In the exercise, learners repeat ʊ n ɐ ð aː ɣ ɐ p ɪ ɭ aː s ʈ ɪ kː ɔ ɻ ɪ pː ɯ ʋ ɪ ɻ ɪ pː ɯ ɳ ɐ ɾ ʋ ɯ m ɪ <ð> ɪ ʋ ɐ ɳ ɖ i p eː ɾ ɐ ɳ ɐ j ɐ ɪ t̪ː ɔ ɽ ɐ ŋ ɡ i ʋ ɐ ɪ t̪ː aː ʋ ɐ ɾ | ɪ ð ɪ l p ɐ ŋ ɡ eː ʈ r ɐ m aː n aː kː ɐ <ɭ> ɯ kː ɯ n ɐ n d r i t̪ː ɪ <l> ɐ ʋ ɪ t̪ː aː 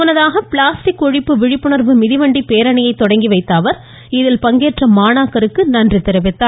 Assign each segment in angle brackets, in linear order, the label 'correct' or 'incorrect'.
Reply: correct, incorrect: ɾ, incorrect: ɾ

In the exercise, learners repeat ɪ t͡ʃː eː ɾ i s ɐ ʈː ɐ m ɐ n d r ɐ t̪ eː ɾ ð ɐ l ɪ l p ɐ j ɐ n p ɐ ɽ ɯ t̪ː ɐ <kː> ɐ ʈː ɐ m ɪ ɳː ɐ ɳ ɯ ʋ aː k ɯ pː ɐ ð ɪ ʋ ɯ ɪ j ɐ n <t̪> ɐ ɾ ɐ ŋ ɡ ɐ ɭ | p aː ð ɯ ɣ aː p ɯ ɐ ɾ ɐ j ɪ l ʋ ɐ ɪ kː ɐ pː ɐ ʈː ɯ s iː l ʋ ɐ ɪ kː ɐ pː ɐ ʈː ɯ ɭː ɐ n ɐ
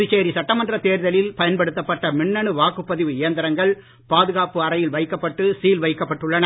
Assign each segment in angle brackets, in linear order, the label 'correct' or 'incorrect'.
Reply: incorrect: pː, incorrect: d̪

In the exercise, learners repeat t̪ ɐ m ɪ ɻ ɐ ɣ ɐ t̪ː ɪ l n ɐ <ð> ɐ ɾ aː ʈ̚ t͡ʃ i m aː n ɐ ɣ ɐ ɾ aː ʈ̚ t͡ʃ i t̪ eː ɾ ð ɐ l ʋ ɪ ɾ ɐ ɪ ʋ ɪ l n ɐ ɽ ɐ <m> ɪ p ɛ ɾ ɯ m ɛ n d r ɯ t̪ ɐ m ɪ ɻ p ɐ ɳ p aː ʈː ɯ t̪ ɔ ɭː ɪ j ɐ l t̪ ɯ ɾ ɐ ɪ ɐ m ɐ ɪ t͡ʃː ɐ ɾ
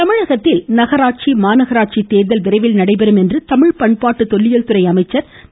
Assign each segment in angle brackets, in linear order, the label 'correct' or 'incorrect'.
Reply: incorrect: ɣ, incorrect: none

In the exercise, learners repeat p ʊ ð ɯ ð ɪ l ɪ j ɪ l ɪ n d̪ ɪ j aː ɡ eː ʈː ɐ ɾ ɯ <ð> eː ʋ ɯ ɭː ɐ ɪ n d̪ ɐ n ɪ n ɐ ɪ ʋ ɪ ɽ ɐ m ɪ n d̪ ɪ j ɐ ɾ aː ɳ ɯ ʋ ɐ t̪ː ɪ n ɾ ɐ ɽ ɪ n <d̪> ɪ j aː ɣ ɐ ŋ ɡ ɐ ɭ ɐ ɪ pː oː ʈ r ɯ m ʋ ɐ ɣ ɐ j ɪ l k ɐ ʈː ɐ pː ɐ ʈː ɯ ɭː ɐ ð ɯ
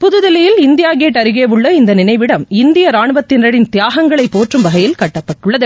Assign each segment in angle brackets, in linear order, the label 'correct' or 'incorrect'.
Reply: incorrect: ɣ, incorrect: t̪

